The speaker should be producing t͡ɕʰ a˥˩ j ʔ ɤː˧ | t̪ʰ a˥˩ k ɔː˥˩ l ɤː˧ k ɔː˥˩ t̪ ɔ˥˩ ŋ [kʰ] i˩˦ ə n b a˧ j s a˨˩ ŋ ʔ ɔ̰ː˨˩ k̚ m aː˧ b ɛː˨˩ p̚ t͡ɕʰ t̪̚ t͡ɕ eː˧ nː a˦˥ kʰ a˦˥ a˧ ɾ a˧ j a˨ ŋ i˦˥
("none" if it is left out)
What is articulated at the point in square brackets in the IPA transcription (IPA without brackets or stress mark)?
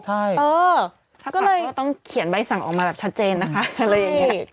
kʰ